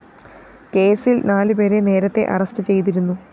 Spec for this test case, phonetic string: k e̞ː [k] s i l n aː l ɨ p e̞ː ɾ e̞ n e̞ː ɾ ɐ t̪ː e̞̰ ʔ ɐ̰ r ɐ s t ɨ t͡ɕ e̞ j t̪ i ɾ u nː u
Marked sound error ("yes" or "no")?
yes